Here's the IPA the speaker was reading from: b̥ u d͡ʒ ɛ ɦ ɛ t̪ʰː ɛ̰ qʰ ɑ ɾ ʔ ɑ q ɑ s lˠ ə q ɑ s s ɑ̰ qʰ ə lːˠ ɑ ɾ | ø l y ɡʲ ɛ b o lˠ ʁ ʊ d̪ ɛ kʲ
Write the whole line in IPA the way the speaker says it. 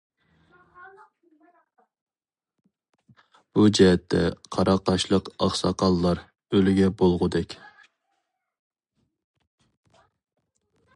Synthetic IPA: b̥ u d͡ʒ ɛ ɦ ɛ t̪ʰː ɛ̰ qʰ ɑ ɾ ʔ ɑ q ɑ ʃ lˠ ə q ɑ χ s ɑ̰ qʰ ɑ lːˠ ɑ ɾ | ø l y ɡʲ ɛ b o lˠ ʁ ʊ d̪ ɛ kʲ